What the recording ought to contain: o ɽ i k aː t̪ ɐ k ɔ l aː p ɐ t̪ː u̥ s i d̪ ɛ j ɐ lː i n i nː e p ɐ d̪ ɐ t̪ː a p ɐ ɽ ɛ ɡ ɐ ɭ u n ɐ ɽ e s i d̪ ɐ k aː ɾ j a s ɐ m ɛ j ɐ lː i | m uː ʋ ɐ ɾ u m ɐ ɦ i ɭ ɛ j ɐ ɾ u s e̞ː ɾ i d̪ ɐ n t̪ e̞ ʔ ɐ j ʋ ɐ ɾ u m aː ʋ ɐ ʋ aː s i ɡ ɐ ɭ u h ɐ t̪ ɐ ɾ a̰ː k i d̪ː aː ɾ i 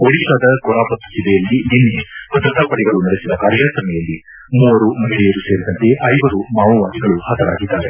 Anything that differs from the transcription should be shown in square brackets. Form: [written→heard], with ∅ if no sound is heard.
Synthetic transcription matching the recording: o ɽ i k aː [t̪→d̪] ɐ k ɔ [l→ɾ] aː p ɐ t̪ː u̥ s i d̪ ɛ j ɐ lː i n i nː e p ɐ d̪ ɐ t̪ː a p ɐ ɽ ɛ ɡ ɐ ɭ u n ɐ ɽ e s i d̪ ɐ k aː ɾ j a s ɐ m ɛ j ɐ lː i | m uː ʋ ɐ ɾ u m ɐ ɦ i ɭ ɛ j ɐ ɾ u s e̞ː ɾ i d̪ ɐ n t̪ e̞ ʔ ɐ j ʋ ɐ ɾ u m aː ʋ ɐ ʋ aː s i ɡ ɐ ɭ u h ɐ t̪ ɐ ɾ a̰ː [k→ɡ] i d̪ː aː ɾ [i→e]